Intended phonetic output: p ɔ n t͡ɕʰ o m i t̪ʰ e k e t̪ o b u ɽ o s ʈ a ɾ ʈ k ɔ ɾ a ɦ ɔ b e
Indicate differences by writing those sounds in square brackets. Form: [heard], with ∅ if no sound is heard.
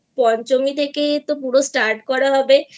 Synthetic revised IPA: p ɔ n [t͡ɕ] o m i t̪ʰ e k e t̪ o [p] u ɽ o s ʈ a ɾ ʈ k ɔ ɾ a ɦ ɔ b e

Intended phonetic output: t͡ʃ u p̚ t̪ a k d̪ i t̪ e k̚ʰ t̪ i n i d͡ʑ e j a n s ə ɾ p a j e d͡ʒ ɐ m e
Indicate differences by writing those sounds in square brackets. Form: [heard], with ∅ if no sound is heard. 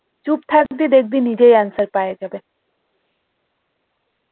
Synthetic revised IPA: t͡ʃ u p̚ [t̪ʰ] a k d̪ i [d̪] e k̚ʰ [d̪] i n i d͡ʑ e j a n s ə ɾ p a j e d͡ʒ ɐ [b] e

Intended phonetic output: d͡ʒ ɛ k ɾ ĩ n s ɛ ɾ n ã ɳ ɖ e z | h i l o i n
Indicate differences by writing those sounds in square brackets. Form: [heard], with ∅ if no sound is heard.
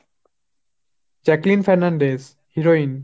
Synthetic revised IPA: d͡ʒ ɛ k [l] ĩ n [f] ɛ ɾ n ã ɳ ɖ e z | h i [ɾ] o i n

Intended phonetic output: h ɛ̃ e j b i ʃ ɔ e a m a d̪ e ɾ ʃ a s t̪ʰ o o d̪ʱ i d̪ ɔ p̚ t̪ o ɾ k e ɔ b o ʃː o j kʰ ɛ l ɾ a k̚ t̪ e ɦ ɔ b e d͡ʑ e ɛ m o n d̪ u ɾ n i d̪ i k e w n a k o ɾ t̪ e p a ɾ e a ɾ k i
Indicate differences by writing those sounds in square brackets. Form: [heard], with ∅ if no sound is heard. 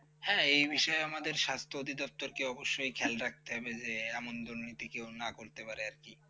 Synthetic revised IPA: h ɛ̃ e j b i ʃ ɔ e a m a d̪ e ɾ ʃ a s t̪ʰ o o d̪ʱ i d̪ ɔ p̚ t̪ o ɾ k e ɔ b o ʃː o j kʰ ɛ l ɾ a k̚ t̪ e ɦ ɔ b e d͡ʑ e ɛ m o n d̪ u ɾ n i [t̪] i k e w n a k o ɾ t̪ e p a ɾ e a ɾ k i

